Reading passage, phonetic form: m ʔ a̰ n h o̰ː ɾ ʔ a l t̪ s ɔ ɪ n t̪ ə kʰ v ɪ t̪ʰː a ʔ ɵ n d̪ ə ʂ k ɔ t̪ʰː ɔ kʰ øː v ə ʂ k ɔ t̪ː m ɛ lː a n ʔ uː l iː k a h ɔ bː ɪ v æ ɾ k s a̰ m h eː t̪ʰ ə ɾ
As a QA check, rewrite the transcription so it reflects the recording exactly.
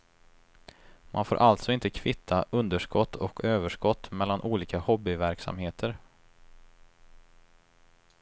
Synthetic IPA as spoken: m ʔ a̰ n f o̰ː ɾ ʔ a l t̪ s ɔ ɪ n t̪ ə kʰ v ɪ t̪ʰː a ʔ ɵ n d̪ ə ʂ k ɔ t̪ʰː ɔ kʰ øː v ə ʂ k ɔ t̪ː m ɛ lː a n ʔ uː l iː k a h ɔ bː ɪ v æ ɾ k s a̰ m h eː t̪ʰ ə ɾ

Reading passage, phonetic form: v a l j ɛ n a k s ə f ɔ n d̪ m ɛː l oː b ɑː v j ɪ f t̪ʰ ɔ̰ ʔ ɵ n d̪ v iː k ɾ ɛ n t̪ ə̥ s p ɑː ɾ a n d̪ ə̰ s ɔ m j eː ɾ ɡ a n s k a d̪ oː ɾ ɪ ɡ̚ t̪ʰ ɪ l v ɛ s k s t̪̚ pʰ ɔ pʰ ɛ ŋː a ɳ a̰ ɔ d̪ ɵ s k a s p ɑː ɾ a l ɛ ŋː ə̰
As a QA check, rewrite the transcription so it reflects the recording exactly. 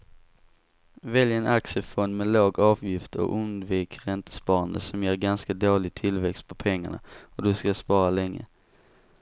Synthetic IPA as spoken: v ɛ l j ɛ n a k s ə f ɔ n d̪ m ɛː l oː ɡ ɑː v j ɪ f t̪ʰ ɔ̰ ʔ ɵ n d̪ v iː k ɾ ɛ n t̪ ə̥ s p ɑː ɾ a n d̪ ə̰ s ɔ m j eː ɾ ɡ a n s k a d̪ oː l ɪ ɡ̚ t̪ʰ ɪ l v ɛ k s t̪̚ pʰ ɔ pʰ ɛ ŋː a ɳ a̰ ɔ d̪ ɵ s k a s p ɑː ɾ a l ɛ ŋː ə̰

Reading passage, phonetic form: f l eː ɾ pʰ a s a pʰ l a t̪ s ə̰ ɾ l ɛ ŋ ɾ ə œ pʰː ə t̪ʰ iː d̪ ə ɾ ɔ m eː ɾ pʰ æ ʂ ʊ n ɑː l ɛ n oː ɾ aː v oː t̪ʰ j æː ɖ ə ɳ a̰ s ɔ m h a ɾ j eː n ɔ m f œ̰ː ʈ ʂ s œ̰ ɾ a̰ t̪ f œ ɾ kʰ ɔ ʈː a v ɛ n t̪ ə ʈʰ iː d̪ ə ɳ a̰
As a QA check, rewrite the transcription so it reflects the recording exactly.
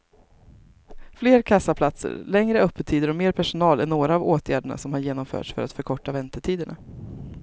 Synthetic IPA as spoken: f l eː ɾ kʰ a s a pʰ l a t̪ s ə̰ ɾ l ɛ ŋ ɾ ə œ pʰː ə t̪ʰ iː d̪ ə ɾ ɔ m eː ɾ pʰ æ ʂ ʊ n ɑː l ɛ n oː ɾ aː v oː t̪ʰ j æː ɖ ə ɳ a̰ s ɔ m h a ɾ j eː n ɔ m f œ̰ː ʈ ʂ f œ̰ ɾ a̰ t̪ f œ ɾ kʰ ɔ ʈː a v ɛ n t̪ ə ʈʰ iː d̪ ə ɳ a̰

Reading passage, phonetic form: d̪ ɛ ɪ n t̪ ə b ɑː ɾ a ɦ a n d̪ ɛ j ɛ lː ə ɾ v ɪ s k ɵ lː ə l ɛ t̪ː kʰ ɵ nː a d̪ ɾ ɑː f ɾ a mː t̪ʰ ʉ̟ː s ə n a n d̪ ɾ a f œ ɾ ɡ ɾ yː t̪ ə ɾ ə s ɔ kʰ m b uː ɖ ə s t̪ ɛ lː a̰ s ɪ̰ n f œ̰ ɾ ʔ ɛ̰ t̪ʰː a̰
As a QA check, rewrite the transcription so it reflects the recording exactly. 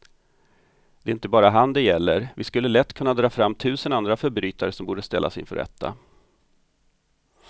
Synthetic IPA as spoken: d̪ ɛ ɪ n t̪ ə b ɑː ɾ a ɦ a n d̪ ɛ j ɛ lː ə ɾ v ɪ s k ɵ lː ə l ɛ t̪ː kʰ ɵ nː a d̪ ɾ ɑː f ɾ a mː t̪ʰ ʉ̟ː s ə n a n d̪ ɾ a f œ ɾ b ɾ yː t̪ a ɾ ə s ɔ m b uː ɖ ə s t̪ ɛ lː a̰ s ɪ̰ n f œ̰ ɾ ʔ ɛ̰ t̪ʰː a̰

